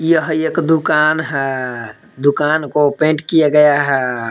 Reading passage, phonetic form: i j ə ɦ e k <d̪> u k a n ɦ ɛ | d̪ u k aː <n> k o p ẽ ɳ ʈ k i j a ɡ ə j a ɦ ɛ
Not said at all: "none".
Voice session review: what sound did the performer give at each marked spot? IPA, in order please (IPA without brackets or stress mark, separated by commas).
d̪, n